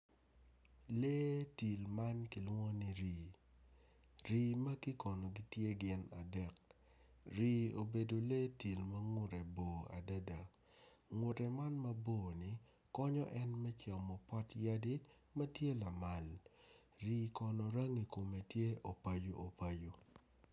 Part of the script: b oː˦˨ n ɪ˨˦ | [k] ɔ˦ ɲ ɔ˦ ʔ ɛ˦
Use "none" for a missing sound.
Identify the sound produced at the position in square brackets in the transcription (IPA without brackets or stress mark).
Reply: k